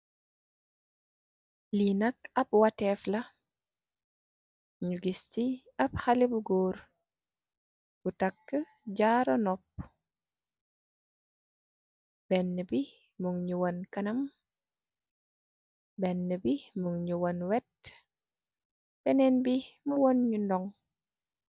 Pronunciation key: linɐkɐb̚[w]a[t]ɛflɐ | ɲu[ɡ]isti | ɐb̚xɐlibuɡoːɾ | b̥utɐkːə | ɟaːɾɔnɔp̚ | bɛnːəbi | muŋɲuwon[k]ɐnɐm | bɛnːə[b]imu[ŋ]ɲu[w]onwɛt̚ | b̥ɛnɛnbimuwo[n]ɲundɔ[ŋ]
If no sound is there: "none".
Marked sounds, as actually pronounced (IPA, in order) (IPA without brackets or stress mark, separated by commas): w, t, ɡ, k, b, ŋ, w, n, ŋ